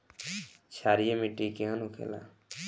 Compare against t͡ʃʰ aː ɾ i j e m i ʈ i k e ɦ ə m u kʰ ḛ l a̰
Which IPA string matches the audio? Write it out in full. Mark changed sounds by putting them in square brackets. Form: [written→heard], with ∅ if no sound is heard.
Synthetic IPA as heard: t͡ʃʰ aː ɾ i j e m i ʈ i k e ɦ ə [m→n] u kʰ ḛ l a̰